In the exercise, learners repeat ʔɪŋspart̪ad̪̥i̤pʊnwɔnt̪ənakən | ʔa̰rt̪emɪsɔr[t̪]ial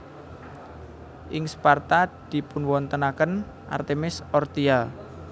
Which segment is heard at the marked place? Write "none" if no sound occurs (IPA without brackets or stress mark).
t̪